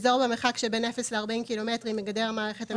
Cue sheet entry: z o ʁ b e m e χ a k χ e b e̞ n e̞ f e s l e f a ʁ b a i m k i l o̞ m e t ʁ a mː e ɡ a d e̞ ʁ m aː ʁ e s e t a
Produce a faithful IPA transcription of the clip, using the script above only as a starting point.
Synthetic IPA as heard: z o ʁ b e m e χ a k ʃ e b e̞ n e̞ f e s l e a ʁ b a i m k i l o̞ m e t ʁ i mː e ɡ a d e̞ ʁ m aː ʁ e χ e t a